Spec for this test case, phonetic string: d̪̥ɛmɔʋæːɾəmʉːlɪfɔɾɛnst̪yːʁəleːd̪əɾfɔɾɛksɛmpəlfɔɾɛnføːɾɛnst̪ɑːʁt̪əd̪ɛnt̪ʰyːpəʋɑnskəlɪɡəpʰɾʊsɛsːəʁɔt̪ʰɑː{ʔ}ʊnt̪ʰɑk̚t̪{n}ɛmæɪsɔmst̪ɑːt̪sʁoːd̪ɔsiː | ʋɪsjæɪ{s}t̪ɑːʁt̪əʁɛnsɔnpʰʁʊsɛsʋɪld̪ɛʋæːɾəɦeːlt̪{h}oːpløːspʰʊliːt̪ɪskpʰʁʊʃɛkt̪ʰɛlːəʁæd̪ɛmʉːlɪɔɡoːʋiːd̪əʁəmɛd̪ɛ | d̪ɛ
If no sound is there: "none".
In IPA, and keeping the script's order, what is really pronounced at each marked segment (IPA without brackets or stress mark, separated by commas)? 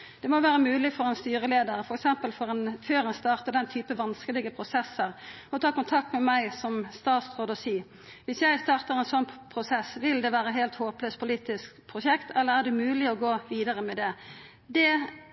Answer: k, m, s, h